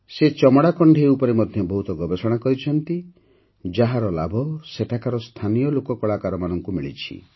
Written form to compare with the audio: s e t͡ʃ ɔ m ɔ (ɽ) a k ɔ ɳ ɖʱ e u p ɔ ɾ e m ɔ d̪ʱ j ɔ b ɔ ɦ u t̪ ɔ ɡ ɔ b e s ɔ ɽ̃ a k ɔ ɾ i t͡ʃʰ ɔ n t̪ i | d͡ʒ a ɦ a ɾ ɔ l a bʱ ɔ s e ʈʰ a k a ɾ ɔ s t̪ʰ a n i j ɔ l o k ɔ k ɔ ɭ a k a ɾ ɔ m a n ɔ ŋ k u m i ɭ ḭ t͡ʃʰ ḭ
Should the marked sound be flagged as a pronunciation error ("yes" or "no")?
no